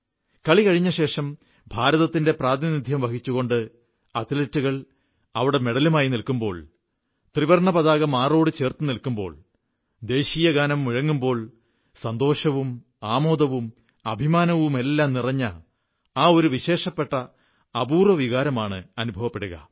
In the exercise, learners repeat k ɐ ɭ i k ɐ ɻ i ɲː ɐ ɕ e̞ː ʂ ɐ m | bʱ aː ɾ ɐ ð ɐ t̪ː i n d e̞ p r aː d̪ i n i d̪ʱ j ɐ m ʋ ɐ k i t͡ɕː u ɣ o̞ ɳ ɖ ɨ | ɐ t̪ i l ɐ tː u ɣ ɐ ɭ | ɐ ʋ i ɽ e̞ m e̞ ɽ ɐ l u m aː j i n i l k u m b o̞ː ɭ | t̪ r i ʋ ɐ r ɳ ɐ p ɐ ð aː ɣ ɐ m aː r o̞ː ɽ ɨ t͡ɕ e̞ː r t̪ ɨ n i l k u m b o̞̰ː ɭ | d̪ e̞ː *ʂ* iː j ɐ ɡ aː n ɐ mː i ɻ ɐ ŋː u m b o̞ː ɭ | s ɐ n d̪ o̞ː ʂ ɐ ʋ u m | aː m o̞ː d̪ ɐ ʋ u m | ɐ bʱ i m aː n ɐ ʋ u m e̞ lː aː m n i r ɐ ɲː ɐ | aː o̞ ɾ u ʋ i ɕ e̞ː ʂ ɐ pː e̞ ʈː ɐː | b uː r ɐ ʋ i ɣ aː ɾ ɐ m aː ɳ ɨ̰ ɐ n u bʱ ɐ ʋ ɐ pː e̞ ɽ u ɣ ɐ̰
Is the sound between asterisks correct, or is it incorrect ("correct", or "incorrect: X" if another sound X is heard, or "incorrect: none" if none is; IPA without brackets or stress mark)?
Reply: incorrect: ɕ